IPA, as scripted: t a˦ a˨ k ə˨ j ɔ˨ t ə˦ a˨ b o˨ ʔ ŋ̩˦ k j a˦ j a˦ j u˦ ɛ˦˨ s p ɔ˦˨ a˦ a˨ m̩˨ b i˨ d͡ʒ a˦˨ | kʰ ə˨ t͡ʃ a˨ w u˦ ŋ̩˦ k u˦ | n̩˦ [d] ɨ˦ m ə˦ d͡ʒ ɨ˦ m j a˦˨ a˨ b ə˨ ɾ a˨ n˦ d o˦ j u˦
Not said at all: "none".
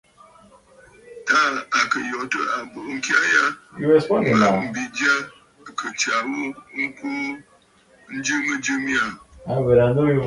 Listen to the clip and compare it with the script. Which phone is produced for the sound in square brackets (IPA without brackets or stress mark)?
d͡ʒ